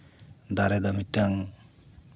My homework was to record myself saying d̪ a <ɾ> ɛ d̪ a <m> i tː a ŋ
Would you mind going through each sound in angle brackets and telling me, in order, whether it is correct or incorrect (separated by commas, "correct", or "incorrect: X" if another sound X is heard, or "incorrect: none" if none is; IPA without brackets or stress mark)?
correct, correct